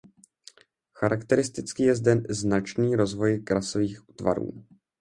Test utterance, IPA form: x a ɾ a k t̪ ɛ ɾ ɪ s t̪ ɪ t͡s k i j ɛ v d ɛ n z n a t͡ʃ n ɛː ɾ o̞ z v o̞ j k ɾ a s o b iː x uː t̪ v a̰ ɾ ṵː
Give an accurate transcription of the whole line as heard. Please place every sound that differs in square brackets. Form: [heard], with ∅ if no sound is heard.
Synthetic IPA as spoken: x a ɾ a k t̪ ɛ ɾ ɪ s t̪ ɪ t͡s k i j ɛ [z] d ɛ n z n a t͡ʃ n [iː] ɾ o̞ z v o̞ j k ɾ a s o [v] iː x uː t̪ v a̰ ɾ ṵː